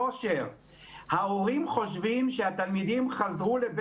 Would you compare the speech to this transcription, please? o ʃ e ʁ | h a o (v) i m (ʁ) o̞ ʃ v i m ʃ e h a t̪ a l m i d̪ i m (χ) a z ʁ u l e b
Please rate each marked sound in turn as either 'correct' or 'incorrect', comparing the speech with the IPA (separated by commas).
incorrect, incorrect, correct